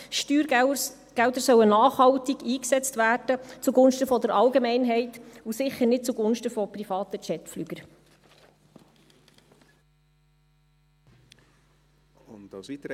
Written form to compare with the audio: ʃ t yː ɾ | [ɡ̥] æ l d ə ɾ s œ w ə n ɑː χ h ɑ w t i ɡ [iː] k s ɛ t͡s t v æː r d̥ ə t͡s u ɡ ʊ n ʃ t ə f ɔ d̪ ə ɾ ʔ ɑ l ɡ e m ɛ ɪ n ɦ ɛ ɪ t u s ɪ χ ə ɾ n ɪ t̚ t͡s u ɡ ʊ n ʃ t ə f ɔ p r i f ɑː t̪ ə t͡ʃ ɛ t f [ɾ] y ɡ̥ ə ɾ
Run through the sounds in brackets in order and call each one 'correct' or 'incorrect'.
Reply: correct, correct, incorrect: l

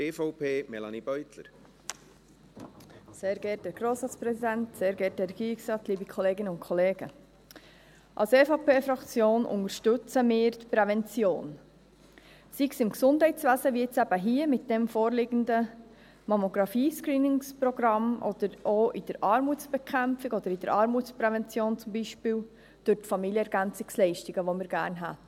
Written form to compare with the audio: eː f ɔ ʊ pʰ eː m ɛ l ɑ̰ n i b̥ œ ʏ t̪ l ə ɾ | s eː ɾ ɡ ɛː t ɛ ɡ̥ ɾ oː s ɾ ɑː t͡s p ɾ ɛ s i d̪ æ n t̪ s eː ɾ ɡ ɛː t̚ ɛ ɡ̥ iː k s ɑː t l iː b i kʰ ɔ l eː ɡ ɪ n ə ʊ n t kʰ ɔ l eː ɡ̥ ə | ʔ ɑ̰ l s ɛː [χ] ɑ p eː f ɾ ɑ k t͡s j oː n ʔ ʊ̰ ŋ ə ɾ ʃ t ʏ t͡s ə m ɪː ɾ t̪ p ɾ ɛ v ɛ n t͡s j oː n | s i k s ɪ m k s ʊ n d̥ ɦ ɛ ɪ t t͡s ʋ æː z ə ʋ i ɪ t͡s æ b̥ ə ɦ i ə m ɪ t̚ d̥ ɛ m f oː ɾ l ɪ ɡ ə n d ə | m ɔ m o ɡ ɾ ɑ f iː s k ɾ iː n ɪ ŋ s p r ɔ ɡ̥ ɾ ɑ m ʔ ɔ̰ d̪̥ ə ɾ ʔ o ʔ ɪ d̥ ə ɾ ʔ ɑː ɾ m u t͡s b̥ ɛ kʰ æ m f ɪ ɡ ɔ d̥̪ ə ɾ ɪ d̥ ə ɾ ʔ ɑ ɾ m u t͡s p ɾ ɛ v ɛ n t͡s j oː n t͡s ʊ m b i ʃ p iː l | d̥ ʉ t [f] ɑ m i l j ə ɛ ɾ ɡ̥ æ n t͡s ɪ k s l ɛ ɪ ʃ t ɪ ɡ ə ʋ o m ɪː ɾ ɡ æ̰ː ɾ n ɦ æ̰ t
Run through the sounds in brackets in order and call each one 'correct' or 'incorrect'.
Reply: incorrect: f, correct

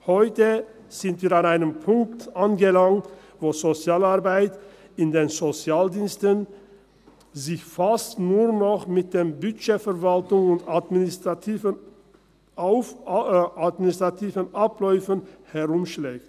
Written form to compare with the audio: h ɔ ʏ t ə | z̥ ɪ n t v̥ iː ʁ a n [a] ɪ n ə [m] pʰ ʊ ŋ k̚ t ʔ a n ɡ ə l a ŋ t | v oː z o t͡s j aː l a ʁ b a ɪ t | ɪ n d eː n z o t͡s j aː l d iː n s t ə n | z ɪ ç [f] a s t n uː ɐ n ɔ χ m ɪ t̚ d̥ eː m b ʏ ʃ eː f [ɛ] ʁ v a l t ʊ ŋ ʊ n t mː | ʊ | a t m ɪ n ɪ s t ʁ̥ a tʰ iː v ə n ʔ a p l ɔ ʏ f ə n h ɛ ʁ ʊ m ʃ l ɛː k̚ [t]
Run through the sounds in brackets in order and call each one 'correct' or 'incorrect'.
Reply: correct, correct, correct, correct, correct

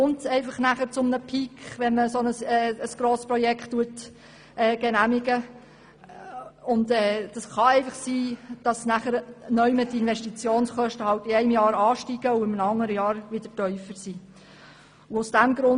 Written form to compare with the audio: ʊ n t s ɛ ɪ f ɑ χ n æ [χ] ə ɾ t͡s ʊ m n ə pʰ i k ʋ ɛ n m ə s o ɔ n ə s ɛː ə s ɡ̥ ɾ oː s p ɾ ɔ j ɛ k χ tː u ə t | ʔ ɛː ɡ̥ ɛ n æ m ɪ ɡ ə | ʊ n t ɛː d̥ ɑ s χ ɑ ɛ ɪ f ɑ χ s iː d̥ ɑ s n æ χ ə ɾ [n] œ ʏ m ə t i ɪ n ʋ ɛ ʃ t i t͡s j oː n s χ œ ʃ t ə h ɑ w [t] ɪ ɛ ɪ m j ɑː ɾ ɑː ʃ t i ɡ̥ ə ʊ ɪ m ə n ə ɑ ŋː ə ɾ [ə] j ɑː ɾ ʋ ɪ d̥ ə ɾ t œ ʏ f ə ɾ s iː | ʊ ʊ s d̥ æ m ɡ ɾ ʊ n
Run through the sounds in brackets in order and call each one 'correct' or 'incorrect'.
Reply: correct, correct, correct, correct

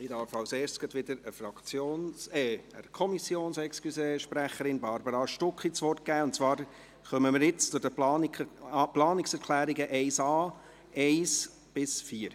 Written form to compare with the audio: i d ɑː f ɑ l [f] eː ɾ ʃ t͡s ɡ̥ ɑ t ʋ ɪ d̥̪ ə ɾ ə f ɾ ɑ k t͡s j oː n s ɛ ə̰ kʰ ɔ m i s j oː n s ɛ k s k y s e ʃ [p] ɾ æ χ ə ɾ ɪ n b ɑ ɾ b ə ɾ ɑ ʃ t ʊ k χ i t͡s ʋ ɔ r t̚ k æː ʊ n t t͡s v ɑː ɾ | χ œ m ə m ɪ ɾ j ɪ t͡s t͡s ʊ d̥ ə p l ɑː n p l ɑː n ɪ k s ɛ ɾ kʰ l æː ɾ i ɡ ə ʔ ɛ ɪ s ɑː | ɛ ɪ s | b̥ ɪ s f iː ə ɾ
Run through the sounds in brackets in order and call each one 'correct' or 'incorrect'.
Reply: incorrect: s, correct

